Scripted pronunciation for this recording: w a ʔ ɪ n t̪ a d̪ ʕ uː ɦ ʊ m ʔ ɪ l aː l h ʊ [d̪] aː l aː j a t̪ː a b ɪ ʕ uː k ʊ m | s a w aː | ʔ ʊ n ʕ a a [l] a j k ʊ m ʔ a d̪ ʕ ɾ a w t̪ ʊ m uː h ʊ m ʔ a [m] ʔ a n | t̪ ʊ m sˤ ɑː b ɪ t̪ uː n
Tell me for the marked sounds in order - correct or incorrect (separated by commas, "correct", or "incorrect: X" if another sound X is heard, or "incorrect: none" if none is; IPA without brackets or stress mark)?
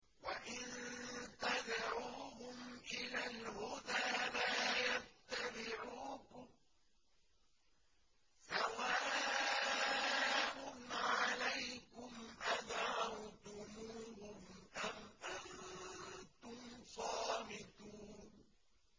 correct, correct, correct